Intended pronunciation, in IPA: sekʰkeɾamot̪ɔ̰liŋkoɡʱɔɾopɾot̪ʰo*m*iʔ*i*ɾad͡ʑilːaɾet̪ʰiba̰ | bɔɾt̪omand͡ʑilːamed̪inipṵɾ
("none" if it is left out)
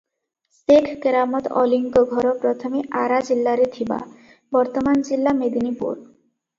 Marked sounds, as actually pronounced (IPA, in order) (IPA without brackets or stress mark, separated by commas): m, a